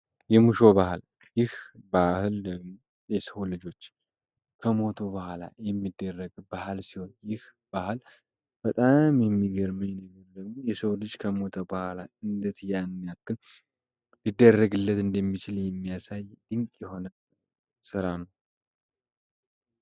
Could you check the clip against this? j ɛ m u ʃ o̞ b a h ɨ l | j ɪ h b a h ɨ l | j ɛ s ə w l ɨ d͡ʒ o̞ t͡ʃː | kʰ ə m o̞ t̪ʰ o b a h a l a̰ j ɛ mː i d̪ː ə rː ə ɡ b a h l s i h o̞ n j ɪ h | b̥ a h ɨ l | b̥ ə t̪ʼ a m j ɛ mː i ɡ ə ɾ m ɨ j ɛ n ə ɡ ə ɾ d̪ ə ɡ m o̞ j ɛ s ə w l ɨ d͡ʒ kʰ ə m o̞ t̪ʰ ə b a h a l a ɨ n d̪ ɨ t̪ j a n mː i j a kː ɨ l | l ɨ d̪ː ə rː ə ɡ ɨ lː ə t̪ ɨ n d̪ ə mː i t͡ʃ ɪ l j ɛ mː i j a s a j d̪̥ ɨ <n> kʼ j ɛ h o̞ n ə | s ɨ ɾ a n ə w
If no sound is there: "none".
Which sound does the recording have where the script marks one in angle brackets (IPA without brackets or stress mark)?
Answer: ŋ